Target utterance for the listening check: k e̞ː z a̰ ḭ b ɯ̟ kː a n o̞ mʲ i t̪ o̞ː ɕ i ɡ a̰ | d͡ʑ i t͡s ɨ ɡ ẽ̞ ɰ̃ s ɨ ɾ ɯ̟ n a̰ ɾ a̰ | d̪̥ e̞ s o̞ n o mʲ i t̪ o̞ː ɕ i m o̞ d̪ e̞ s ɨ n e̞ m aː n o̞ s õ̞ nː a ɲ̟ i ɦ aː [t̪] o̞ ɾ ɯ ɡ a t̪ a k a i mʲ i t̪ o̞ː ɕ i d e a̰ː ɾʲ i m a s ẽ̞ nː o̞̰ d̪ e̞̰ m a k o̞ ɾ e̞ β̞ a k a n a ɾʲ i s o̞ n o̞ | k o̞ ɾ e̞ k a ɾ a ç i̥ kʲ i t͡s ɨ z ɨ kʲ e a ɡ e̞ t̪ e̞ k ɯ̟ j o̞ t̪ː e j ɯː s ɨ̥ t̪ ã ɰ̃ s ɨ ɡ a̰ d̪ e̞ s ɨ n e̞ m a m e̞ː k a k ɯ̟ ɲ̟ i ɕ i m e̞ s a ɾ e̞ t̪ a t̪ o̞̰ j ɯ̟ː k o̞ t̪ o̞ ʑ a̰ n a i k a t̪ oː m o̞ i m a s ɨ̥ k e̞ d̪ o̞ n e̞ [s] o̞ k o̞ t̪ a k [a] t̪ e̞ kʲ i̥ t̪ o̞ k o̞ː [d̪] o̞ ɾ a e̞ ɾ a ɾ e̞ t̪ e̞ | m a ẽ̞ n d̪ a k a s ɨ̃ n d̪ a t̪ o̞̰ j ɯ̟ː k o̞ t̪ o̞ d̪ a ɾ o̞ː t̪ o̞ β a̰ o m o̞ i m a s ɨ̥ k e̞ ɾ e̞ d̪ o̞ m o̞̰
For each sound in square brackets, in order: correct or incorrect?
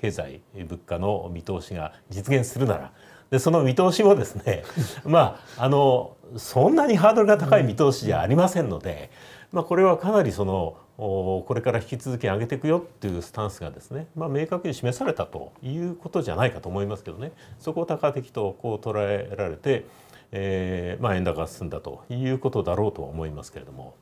incorrect: d̪, correct, correct, incorrect: t̪

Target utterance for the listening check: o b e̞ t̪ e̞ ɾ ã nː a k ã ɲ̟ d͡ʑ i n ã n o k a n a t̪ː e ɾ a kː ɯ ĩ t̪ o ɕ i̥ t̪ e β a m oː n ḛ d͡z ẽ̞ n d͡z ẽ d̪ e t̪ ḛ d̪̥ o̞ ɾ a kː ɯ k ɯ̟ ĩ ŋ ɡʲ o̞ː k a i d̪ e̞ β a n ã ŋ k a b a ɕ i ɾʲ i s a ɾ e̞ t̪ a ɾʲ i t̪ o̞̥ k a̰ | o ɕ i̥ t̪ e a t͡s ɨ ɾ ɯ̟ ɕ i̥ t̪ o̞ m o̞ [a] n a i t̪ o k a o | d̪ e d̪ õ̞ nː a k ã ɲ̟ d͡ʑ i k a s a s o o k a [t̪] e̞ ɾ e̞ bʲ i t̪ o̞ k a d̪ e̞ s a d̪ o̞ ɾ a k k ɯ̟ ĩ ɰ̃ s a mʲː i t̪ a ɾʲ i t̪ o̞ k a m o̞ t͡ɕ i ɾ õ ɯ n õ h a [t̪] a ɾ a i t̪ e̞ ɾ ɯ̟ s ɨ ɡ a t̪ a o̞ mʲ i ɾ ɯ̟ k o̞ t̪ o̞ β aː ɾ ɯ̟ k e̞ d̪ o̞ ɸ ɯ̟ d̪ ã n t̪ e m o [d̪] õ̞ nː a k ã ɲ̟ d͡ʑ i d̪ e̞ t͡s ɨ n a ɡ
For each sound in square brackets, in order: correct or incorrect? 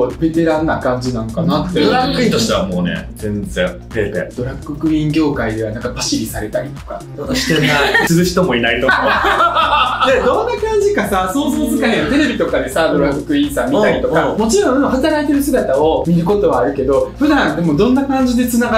incorrect: i, correct, correct, correct

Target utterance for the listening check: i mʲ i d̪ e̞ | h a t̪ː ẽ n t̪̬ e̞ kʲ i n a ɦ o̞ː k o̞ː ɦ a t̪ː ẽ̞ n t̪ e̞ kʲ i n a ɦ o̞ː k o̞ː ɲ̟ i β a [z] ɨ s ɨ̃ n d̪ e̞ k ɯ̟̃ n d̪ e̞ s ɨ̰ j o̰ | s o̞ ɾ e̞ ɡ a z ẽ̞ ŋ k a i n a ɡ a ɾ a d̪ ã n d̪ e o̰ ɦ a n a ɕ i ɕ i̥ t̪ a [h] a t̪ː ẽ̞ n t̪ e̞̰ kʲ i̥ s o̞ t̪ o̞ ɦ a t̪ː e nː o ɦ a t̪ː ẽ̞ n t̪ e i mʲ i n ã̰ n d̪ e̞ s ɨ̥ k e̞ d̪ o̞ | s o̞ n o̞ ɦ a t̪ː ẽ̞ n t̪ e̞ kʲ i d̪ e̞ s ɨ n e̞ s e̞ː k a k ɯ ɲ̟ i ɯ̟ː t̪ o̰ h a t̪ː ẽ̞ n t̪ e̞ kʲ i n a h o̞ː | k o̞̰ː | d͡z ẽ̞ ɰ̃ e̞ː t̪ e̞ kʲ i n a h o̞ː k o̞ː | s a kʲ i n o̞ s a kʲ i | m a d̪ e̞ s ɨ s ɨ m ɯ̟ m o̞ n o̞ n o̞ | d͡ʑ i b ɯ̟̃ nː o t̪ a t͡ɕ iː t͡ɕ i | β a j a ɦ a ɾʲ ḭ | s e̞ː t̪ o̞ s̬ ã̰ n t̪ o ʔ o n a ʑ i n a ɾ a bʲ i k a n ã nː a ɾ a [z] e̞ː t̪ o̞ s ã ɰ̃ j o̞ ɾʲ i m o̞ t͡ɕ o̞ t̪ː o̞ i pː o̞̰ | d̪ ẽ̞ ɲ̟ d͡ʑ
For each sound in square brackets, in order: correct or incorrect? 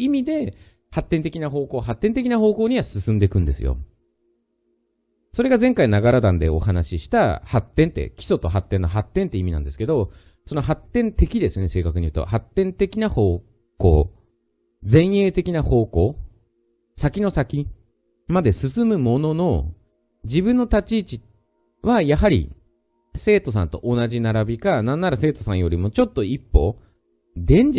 incorrect: s, correct, incorrect: s

